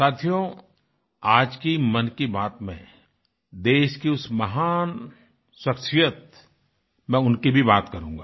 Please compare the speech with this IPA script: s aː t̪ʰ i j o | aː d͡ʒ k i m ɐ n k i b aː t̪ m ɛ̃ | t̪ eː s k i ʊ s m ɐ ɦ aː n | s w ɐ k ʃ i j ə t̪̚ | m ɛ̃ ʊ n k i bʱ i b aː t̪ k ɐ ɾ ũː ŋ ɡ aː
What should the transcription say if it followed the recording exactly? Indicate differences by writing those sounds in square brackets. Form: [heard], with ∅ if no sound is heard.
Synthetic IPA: s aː t̪ʰ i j o | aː d͡ʒ k i m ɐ n k i b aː t̪ m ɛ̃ | [d̪] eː [ʃ] k i ʊ s m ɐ ɦ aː n | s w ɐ k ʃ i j ə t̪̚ | m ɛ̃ ʊ n k i bʱ i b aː t̪ k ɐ ɾ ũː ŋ ɡ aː